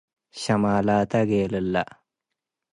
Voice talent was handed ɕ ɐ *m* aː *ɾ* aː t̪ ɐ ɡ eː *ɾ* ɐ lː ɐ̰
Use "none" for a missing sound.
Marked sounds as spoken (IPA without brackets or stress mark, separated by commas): m, l, l